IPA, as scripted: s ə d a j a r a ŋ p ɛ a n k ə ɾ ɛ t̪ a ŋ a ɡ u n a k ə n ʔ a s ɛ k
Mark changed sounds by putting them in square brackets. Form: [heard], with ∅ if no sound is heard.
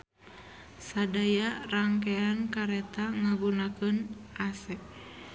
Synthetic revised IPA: s [a] d a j a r a ŋ [k] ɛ a n k [a] ɾ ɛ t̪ a ŋ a ɡ u n a k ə n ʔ a s ɛ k